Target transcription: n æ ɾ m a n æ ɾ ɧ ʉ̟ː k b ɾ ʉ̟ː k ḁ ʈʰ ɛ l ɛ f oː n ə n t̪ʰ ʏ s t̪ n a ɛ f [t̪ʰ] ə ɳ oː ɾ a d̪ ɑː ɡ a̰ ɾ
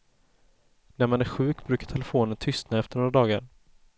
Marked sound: incorrect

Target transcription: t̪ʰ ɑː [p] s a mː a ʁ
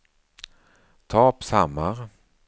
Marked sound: correct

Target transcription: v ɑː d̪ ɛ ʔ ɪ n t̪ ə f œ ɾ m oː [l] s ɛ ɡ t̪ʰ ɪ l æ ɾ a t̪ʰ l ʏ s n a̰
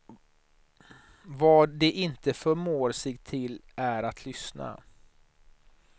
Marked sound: incorrect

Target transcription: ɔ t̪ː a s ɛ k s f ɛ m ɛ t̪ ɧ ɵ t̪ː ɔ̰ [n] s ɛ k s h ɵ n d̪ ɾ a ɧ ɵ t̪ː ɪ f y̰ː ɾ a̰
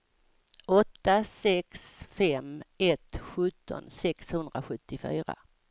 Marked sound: correct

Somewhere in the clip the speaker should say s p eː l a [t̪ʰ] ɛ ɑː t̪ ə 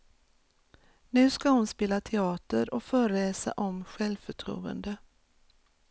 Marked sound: correct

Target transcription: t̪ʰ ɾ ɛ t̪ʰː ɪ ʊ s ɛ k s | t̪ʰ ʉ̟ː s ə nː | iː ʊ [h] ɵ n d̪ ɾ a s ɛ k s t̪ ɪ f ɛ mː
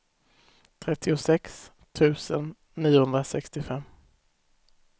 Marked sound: correct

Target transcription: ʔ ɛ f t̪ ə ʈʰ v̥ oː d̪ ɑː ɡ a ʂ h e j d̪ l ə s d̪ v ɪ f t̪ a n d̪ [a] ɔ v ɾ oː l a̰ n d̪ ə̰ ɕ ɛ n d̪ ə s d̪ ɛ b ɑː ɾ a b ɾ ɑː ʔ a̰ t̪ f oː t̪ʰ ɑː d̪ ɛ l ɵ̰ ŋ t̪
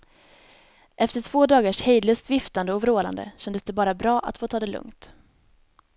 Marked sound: incorrect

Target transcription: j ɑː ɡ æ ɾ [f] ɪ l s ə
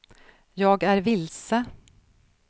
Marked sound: incorrect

